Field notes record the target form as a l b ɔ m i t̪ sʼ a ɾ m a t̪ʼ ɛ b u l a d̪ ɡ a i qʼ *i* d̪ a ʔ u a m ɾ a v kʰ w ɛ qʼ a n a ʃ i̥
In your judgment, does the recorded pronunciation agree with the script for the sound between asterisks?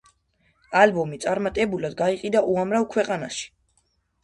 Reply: yes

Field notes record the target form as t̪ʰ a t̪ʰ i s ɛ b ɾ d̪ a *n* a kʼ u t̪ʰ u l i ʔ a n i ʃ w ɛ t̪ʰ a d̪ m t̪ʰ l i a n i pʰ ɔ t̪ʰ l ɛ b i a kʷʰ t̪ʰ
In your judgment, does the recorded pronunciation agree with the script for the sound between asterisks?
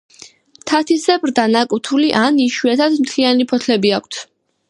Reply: yes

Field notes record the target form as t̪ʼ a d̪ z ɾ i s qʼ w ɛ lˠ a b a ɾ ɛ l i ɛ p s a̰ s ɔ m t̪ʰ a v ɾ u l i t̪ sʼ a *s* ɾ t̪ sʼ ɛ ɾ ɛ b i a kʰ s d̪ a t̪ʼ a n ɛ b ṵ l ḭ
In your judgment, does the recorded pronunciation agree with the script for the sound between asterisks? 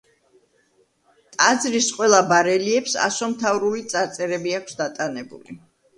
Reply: no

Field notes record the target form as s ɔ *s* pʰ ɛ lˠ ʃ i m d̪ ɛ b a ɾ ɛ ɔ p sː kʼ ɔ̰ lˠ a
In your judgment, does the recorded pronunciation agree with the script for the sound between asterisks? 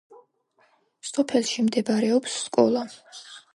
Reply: no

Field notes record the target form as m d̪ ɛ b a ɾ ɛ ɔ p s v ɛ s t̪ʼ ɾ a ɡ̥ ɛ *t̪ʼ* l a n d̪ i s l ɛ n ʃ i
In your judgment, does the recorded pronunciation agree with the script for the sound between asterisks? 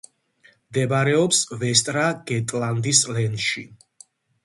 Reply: yes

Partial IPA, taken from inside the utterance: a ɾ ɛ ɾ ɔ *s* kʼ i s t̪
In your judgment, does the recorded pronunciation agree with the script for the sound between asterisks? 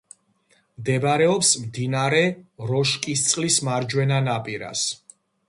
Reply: no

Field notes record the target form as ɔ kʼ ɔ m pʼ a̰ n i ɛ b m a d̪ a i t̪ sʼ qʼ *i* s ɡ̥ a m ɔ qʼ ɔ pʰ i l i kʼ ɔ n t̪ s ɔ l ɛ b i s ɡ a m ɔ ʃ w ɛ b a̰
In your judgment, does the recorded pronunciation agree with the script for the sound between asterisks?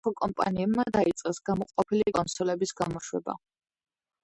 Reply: no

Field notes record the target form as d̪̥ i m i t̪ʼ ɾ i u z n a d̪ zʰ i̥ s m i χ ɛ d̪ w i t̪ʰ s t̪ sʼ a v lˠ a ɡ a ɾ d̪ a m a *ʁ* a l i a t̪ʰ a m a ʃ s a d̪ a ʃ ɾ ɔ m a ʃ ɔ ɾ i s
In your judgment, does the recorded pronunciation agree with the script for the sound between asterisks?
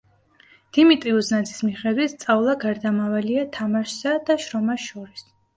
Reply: no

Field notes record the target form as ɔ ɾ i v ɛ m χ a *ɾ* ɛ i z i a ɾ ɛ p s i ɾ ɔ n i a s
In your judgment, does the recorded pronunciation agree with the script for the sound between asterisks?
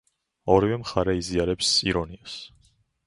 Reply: yes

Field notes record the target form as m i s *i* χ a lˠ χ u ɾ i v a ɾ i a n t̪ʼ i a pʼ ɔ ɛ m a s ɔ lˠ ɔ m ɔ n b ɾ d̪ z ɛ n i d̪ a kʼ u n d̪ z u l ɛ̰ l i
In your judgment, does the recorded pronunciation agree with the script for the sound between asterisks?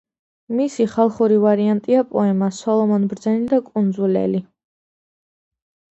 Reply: yes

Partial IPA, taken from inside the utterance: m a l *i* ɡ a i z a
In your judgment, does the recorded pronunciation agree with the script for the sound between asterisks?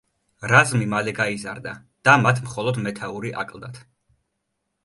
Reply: no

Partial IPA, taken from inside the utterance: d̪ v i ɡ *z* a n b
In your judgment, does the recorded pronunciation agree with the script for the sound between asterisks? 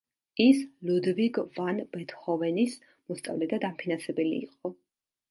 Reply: no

